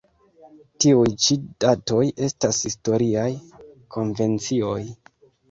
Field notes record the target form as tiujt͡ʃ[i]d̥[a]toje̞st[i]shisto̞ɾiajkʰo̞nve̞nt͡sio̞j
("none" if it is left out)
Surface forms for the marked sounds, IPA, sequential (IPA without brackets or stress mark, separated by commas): i, a, a